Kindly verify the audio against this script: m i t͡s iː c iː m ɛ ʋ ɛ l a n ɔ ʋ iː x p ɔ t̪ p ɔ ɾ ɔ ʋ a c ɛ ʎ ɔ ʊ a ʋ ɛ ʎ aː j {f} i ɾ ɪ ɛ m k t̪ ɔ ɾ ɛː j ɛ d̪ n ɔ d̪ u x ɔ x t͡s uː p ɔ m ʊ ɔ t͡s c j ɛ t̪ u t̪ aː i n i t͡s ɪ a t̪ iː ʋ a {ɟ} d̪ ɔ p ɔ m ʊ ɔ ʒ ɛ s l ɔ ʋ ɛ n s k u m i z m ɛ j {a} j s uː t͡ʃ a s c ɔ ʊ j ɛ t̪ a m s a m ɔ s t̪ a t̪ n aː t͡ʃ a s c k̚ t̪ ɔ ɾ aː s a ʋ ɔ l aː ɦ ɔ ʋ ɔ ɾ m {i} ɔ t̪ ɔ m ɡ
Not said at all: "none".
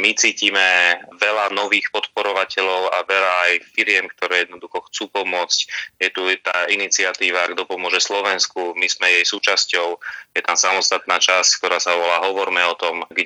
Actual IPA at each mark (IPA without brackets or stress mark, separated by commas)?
f, ɡ, ɛ, ɛ